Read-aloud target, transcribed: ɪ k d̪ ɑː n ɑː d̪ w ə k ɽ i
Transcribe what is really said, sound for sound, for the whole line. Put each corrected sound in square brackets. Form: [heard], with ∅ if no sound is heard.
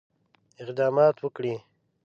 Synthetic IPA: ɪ [q] d̪ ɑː [m] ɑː [t̪] w ə k ɽ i